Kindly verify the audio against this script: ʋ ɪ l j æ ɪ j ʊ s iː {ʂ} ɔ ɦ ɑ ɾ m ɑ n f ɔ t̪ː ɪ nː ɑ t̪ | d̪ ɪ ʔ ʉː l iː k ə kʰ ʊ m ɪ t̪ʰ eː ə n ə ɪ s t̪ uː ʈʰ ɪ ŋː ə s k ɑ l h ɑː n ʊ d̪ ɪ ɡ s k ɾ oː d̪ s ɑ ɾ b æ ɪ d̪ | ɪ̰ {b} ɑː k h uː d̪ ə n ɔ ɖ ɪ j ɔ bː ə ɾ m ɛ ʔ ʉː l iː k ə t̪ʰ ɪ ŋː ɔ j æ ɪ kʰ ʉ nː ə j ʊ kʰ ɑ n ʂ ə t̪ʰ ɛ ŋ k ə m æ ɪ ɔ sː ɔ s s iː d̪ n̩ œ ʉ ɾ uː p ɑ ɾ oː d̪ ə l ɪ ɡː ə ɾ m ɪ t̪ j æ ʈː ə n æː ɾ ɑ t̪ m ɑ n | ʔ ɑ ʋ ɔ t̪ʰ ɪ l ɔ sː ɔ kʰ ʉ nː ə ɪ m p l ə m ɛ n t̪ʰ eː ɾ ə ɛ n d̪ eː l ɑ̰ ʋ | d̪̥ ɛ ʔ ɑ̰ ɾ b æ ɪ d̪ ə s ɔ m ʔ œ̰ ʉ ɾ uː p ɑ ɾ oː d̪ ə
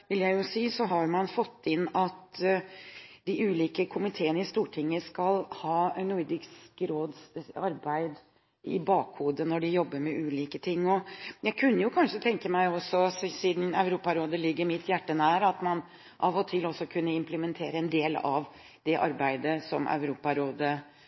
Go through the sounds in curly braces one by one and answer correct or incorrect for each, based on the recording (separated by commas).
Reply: incorrect, correct